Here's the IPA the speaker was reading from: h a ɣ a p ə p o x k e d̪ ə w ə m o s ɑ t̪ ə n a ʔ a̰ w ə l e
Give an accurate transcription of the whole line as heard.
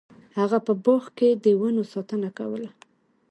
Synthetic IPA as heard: h a ɣ a p ə b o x k e d̪ ə w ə n o s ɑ t̪ ə n a k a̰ w ə l a